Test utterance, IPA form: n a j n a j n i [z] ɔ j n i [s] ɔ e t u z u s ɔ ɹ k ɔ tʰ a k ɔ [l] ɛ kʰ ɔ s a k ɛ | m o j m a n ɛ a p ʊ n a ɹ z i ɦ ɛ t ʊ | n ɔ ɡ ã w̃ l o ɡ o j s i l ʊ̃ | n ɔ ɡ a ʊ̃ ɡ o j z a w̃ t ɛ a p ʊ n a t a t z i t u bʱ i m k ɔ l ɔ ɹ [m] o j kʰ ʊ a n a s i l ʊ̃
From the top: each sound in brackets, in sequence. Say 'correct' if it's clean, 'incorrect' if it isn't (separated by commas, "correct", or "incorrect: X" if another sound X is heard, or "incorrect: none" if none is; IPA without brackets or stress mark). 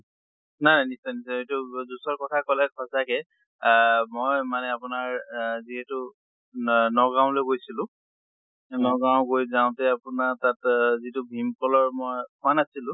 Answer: incorrect: s, correct, correct, correct